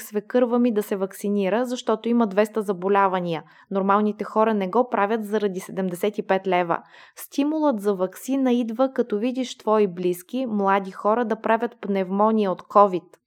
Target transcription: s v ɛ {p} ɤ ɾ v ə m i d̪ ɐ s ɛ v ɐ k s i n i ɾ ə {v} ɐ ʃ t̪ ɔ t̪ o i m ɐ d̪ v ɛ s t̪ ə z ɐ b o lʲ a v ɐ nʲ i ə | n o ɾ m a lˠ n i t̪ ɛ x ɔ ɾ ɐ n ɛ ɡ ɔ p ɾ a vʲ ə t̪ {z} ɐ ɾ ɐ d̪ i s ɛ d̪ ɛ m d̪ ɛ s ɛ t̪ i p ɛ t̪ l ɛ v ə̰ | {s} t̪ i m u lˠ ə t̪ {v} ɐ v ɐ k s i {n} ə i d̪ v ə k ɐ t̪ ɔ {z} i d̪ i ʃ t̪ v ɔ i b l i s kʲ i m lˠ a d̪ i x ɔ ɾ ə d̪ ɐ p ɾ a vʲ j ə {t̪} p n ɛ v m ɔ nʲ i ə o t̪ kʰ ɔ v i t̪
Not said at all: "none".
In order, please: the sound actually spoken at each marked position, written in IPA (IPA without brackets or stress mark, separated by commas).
k, z, z, s, z, n, v, t̪